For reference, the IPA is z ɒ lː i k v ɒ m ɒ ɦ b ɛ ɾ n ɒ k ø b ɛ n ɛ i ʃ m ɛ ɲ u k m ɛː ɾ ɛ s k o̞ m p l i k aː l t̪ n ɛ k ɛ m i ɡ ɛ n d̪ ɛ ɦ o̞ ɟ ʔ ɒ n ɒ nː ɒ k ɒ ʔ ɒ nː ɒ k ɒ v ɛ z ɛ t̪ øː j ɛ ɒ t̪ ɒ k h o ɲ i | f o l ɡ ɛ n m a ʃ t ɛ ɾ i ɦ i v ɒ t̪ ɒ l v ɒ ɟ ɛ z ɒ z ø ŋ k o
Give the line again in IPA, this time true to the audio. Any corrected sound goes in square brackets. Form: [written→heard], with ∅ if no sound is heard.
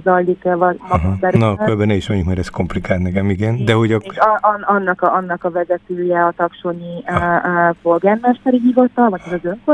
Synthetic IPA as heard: z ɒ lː i k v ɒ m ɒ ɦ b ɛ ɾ n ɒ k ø b ɛ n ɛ i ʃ m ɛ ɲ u k m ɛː ɾ ɛ s k o̞ m p l i k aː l t̪ n ɛ k ɛ m i ɡ ɛ n d̪ ɛ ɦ o̞ ɟ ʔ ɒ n ɒ nː ɒ k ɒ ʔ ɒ nː ɒ k ɒ v ɛ z ɛ t̪ øː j ɛ ɒ t̪ ɒ k [h→ʃ] o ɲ i | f o l ɡ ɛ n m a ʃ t ɛ ɾ i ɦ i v ɒ t̪ ɒ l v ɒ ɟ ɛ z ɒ z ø ŋ k o